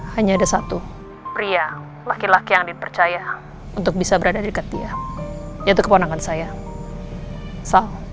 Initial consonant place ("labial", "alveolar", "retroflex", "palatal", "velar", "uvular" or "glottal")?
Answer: glottal